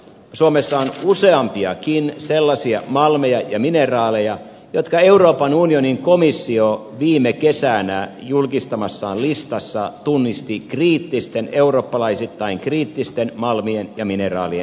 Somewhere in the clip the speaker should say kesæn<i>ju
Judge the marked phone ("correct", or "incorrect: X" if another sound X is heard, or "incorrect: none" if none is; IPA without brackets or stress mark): incorrect: æ